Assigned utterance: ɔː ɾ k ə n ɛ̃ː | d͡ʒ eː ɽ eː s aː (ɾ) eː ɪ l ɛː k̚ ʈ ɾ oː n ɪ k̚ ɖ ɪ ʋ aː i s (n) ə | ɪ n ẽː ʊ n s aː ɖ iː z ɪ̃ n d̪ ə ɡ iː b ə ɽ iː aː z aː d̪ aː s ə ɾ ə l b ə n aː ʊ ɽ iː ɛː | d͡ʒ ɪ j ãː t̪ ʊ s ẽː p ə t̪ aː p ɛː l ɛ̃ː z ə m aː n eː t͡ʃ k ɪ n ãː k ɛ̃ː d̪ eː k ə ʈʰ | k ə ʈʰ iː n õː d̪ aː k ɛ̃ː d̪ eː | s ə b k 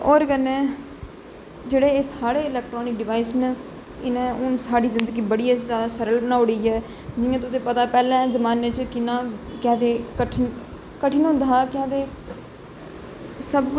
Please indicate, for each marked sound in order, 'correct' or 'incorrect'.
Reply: incorrect: ɽ, correct

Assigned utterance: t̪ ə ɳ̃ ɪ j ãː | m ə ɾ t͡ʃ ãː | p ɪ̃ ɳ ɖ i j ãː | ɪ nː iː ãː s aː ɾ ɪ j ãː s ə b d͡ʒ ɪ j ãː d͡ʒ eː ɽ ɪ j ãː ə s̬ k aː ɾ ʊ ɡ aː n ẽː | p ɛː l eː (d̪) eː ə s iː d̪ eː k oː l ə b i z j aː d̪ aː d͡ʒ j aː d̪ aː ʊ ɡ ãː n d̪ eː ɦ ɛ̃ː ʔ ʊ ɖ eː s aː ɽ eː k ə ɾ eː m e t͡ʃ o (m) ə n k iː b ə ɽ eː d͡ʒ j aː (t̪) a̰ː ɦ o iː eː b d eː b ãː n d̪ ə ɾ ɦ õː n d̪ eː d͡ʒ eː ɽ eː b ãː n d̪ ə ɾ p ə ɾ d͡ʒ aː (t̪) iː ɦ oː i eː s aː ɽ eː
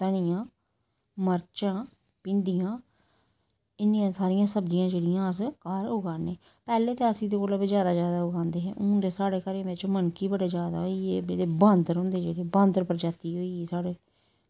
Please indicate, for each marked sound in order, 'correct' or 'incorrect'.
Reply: incorrect: t̪, correct, incorrect: d̪, correct

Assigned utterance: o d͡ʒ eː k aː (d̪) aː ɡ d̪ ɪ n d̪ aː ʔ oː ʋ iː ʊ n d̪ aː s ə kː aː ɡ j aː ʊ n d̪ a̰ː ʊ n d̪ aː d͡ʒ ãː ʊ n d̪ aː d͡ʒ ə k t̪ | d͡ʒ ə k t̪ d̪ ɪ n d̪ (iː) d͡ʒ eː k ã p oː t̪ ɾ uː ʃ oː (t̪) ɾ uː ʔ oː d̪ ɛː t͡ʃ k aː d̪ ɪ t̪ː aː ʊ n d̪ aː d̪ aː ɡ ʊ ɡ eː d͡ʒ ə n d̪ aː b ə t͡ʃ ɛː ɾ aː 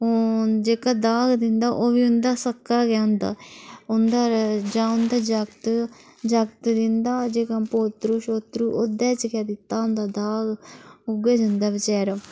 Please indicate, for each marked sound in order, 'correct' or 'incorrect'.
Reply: correct, incorrect: aː, correct

